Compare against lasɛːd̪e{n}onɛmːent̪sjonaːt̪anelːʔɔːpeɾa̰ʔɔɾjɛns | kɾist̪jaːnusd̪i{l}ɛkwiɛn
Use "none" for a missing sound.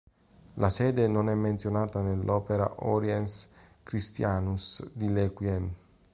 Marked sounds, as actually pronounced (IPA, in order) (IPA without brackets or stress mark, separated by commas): n, l